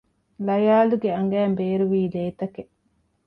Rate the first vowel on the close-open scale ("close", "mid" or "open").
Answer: open